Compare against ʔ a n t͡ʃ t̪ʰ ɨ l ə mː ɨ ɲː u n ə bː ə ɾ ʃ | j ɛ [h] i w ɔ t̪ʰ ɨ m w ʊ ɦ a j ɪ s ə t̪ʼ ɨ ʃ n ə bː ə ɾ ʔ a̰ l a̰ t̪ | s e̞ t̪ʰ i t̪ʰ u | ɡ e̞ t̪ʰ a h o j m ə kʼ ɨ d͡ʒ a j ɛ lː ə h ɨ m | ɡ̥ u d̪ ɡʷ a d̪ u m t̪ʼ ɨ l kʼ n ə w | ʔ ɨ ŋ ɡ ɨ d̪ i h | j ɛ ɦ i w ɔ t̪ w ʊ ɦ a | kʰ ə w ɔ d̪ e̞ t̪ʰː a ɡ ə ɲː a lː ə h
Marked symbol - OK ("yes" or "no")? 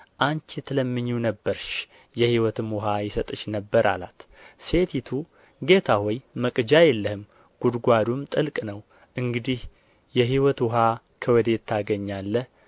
yes